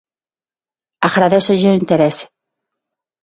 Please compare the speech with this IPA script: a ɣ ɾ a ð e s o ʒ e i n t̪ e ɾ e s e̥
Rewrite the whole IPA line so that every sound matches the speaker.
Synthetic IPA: a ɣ ɾ a ð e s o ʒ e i n t̪ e ɾ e s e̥